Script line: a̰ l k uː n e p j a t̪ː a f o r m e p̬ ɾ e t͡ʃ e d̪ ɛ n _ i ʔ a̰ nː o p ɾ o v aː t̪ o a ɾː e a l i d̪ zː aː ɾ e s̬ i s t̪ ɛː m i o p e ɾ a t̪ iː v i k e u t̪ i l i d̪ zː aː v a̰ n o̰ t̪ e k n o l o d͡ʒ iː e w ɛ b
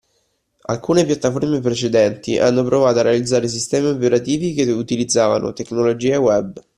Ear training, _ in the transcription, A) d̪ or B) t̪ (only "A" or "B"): B